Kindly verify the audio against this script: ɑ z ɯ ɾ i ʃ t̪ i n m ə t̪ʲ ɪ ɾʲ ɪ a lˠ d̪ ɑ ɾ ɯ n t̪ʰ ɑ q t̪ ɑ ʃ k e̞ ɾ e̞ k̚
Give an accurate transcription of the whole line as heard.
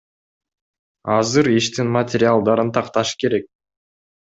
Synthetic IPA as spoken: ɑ z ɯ ɾ i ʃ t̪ i n m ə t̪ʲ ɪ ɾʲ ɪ a lˠ d̪ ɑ ɾ ɯ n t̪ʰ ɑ q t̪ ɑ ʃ k e̞ ɾ e̞ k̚